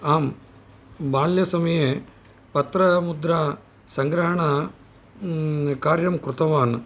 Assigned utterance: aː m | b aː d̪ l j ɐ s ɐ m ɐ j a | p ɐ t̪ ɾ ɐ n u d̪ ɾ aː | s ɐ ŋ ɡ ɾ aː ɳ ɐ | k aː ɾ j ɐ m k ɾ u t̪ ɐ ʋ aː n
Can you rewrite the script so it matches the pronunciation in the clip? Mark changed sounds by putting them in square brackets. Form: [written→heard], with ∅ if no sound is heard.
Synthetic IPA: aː m | b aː [d̪→∅] l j ɐ s ɐ m ɐ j [a→e] | p ɐ t̪ ɾ ɐ [n→m] u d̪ ɾ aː | s ɐ ŋ ɡ ɾ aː ɳ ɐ | k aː ɾ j ɐ m k ɾ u t̪ ɐ ʋ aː n